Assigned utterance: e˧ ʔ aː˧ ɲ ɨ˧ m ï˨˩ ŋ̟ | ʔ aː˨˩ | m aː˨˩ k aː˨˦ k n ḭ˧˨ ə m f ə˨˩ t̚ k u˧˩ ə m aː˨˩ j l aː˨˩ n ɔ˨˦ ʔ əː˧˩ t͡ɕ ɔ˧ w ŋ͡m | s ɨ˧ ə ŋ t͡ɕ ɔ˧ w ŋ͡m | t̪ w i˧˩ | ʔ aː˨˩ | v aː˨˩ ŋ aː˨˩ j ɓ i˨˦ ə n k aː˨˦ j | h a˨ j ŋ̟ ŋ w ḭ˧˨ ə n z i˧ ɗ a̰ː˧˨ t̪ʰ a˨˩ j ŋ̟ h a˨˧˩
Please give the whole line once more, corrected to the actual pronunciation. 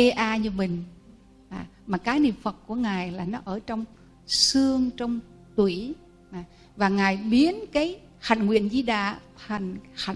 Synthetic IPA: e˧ ʔ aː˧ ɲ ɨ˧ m ï˨˩ ŋ̟ | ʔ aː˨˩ | m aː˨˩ k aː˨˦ k n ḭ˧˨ ə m f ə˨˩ t̚ k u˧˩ ə ŋ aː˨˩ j l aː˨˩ n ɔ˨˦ ʔ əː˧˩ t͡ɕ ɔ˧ w ŋ͡m | s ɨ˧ ə ŋ t͡ɕ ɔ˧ w ŋ͡m | t̪ w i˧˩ | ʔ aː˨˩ | v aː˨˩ ŋ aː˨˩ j ɓ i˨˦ ə n k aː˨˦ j | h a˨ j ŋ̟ ŋ w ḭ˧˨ ə n z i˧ ɗ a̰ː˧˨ t̪ʰ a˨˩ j ŋ̟ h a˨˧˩